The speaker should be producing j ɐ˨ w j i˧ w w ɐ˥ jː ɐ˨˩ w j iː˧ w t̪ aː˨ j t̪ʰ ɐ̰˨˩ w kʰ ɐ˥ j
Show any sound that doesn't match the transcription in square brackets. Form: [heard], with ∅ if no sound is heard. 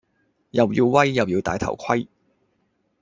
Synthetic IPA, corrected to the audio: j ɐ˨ w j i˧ w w ɐ˥ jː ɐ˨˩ w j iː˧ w t̪ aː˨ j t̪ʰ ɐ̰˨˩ w kʰ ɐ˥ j

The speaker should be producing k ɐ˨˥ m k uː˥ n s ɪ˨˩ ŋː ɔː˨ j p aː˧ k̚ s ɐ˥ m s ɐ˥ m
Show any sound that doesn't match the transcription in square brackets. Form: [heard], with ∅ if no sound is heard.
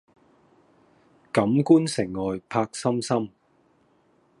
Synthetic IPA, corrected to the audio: k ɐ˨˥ m k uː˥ n s ɪ˨˩ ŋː ɔː˨ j [pʰ] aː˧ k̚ s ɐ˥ m s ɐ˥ m

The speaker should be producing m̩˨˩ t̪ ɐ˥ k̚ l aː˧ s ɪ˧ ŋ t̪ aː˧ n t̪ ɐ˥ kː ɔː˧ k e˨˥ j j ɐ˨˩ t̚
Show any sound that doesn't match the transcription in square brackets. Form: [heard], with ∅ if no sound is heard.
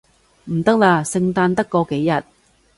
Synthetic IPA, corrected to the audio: m̩˨˩ t̪ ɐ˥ k̚ l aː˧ s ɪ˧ ŋ t̪ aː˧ n t̪ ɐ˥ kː ɔː˧ k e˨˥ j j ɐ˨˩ t̚

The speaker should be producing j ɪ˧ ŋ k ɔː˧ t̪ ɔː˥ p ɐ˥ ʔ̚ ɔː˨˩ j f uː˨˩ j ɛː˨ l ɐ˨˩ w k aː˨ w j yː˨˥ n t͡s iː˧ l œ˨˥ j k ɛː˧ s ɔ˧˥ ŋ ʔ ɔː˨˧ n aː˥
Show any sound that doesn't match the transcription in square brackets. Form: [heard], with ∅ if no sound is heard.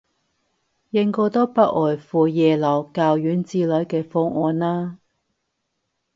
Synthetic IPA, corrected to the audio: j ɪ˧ ŋ k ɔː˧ t̪ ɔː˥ p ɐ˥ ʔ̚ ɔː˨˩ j f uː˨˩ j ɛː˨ l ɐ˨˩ w k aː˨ w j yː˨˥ n t͡s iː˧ l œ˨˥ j k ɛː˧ [f] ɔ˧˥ ŋ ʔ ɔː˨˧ n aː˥

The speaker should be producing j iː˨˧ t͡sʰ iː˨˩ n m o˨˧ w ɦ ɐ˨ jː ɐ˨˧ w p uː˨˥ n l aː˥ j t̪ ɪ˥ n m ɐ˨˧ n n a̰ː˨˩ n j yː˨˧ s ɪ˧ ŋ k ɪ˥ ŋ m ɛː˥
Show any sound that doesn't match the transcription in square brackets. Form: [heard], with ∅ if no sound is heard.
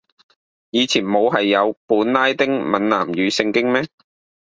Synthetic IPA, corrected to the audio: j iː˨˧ t͡sʰ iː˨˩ n m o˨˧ w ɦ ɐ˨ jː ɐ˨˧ w p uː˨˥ n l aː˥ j t̪ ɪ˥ [ŋ] m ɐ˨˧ n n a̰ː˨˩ [m] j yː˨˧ s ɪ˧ ŋ k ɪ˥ ŋ m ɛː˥

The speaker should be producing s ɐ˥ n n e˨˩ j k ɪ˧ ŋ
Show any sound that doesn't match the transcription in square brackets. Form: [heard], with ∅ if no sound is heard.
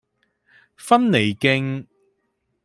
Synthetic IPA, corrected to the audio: [f] ɐ˥ n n e˨˩ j k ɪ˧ ŋ

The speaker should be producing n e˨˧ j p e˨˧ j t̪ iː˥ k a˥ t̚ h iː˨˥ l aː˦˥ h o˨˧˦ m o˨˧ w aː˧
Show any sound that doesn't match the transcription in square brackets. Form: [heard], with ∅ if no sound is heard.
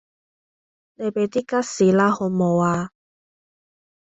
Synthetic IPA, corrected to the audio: n e˨˧ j p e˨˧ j t̪ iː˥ k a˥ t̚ [s] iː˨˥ l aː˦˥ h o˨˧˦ m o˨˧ w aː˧

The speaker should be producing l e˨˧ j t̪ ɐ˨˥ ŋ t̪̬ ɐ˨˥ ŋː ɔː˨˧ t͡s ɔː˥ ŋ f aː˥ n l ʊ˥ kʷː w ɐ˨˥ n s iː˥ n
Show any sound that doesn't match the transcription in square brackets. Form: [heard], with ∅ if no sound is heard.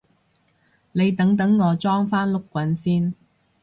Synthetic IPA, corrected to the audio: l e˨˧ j t̪ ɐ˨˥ ŋ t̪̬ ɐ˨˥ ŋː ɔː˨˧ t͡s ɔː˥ ŋ f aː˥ n l ʊ˥ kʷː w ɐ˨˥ n s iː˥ n

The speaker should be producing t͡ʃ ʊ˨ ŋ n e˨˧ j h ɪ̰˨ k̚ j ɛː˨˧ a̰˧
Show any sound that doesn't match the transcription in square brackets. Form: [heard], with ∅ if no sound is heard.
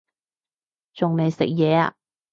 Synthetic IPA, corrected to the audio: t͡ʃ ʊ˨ ŋ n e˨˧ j [s] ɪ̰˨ k̚ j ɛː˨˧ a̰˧

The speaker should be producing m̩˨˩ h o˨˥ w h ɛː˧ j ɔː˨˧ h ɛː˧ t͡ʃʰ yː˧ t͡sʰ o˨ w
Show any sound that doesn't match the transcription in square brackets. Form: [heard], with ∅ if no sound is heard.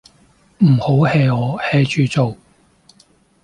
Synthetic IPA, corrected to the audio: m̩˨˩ h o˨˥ w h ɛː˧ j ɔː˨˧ h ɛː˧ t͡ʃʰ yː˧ [t͡s] o˨ w

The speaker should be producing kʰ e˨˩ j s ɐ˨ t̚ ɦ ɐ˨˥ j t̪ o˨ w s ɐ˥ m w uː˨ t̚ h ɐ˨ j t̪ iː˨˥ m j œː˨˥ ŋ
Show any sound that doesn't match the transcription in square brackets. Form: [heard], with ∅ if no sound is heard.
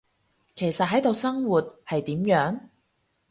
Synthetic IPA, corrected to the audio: kʰ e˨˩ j s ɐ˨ t̚ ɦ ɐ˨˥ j t̪ o˨ w s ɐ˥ [ŋ] w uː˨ t̚ h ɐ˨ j t̪ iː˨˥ m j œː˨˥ ŋ

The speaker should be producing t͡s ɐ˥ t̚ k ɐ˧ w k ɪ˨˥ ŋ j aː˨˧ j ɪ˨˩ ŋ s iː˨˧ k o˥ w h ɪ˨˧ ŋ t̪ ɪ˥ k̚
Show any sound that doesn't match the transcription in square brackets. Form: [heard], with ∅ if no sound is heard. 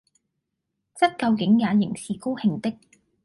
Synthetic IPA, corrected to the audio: t͡s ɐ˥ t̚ k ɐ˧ w k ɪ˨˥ ŋ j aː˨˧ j ɪ˨˩ ŋ s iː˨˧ k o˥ w h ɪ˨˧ ŋ t̪ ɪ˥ k̚

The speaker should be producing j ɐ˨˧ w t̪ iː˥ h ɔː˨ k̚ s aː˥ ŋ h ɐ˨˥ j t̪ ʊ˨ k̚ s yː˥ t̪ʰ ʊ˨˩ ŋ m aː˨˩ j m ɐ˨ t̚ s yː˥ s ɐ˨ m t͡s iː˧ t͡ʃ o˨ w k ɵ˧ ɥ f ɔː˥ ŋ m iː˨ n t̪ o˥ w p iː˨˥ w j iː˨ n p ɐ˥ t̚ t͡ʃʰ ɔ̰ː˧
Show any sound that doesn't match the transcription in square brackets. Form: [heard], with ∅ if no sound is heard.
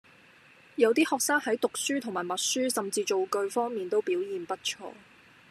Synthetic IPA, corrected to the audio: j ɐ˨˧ w t̪ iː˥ h ɔː˨ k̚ s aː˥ ŋ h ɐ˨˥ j t̪ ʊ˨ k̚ s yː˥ t̪ʰ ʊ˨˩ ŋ m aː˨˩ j m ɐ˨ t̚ s yː˥ s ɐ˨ m t͡s iː˧ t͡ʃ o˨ w k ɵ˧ ɥ f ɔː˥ ŋ m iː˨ n t̪ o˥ w p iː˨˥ w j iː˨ n p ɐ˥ t̚ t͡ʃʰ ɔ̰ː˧

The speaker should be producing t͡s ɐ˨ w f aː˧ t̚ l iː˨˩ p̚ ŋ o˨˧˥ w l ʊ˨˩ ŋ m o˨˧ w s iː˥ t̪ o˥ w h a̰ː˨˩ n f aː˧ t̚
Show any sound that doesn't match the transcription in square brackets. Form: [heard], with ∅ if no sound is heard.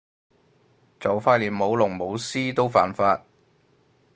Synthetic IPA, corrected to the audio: t͡s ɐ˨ w f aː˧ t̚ l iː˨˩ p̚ [m] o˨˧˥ w l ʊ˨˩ ŋ m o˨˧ w s iː˥ t̪ o˥ w [f] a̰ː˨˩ n f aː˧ t̚

